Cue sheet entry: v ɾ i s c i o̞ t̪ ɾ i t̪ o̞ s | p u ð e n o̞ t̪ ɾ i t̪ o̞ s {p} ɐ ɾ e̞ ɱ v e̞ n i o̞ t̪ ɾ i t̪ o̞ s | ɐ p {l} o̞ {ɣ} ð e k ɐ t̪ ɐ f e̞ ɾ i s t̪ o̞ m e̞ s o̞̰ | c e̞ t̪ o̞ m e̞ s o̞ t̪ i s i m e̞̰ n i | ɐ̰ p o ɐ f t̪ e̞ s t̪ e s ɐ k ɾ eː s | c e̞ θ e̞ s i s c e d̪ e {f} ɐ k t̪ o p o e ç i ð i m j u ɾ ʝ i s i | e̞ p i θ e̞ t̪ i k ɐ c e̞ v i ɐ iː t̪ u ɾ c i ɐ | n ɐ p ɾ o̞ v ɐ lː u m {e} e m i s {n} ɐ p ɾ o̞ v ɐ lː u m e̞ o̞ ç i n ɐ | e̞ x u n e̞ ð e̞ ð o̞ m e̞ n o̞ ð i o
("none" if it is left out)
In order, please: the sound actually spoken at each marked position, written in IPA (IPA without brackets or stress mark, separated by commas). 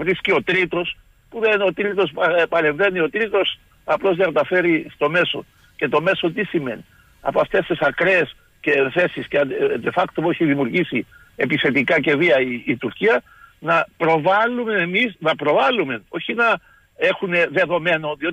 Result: p, l, z, f, e, n